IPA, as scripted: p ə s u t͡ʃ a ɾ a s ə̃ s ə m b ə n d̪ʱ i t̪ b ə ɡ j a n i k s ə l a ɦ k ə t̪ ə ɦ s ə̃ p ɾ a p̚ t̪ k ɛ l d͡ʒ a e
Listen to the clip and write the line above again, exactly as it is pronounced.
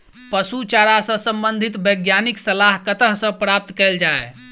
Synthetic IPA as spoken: p ə s u t͡ʃ a ɾ a s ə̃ s ə m b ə n d̪ʱ i t̪ b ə ɡ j a n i k s ə l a ɦ k ə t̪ ə ɦ s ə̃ p ɾ a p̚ t̪ k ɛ l d͡ʒ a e